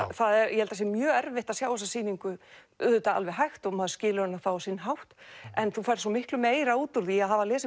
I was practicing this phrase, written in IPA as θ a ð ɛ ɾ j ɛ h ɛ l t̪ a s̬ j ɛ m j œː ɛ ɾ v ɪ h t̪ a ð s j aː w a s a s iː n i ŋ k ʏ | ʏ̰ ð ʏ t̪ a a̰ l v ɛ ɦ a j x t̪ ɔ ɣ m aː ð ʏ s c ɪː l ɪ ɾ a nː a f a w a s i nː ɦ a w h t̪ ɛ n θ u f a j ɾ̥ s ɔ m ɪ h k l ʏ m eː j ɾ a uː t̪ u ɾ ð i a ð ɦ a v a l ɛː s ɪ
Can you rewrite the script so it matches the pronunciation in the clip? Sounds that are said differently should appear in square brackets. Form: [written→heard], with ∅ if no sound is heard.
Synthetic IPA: θ a ð ɛ ɾ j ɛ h ɛ l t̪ a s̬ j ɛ m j œː ɛ ɾ v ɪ h t̪ a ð s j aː w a s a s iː n i ŋ k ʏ | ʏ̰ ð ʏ t̪ a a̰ l v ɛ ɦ a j x t̪ ɔ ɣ m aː ð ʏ s c ɪː l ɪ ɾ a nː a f a w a s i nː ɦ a w h t̪ ɛ n θ u f a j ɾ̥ s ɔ m ɪ h k l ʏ m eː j ɾ a uː t̪ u ɾ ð i a ð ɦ a v a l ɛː s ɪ